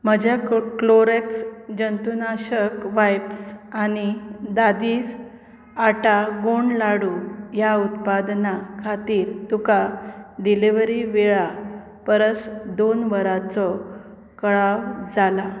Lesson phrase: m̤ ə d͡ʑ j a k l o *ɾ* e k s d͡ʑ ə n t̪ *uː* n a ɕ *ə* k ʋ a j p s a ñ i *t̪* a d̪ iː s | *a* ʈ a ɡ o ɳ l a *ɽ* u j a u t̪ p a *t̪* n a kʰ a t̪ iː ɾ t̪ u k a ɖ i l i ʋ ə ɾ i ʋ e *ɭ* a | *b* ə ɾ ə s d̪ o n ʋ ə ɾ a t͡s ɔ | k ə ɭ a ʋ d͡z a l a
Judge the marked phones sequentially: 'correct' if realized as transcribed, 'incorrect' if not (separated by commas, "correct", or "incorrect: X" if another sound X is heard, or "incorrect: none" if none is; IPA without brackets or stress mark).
correct, incorrect: u, correct, incorrect: d̪, correct, correct, incorrect: d̪, correct, incorrect: p